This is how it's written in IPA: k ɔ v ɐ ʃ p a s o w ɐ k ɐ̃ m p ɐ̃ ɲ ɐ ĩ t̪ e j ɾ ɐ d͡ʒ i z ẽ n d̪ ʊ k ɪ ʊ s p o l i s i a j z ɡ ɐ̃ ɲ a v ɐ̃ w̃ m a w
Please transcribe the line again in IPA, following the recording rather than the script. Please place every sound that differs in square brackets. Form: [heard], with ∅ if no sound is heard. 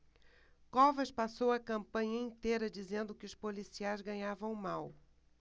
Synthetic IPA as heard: k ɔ v ɐ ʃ p a s o w ɐ k ɐ̃ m p ɐ̃ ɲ ɐ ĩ t̪ e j ɾ ɐ d͡ʒ i z ẽ n d̪ ʊ k ɪ ʊ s p o l i s i a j z ɡ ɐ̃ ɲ a v ɐ̃ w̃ m a w